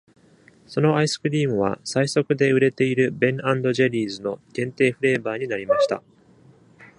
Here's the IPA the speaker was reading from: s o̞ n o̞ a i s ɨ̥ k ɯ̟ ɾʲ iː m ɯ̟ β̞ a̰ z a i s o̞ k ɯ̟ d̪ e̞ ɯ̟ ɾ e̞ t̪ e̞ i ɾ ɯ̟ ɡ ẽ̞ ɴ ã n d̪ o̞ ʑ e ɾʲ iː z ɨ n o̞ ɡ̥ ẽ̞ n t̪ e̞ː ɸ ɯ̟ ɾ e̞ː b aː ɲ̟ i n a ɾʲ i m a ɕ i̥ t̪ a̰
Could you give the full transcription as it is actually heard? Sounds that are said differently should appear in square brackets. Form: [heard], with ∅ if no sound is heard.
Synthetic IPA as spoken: s o̞ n o̞ a i s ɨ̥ k ɯ̟ ɾʲ iː m ɯ̟ β̞ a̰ [s] a i s o̞ k ɯ̟ d̪ e̞ ɯ̟ ɾ e̞ t̪ e̞ i ɾ ɯ̟ [b] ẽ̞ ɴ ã n d̪ o̞ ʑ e ɾʲ iː z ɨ n o̞ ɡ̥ ẽ̞ n t̪ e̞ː ɸ ɯ̟ ɾ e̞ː b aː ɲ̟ i n a ɾʲ i m a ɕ i̥ t̪ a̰